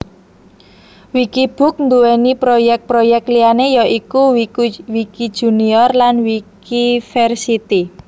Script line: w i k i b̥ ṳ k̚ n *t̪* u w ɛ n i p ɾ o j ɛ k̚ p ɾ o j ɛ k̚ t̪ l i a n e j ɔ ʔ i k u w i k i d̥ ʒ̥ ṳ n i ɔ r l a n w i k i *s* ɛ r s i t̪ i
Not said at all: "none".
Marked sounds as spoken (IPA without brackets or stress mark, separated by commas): d̪, f